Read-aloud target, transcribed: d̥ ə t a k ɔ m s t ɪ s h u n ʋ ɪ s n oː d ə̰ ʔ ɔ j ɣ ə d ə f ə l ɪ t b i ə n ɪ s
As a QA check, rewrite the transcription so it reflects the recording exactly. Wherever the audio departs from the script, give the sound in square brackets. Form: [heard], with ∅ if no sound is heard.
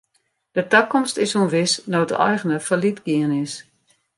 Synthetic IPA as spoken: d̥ ə t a k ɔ m s t ɪ s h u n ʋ ɪ s n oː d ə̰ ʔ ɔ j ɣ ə [n] ə f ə l [i] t [ɡ] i ə n ɪ s